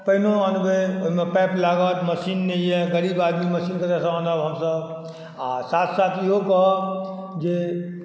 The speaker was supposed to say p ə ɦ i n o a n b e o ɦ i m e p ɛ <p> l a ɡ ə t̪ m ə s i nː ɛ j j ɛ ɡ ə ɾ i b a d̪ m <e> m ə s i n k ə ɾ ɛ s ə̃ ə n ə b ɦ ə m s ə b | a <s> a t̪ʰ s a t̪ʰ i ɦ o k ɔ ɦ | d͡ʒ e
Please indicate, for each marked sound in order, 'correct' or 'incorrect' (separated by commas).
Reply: correct, incorrect, correct